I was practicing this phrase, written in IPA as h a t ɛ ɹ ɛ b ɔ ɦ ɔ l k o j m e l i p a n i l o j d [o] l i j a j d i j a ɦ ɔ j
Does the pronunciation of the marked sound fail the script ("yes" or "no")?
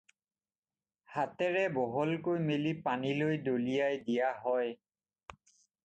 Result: no